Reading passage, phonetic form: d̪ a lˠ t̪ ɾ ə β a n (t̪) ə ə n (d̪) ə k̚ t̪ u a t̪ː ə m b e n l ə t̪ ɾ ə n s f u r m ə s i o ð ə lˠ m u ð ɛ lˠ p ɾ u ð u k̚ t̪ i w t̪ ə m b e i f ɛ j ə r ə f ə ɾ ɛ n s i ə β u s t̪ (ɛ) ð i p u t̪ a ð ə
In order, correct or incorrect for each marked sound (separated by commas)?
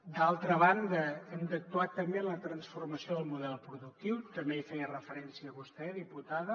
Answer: incorrect, correct, correct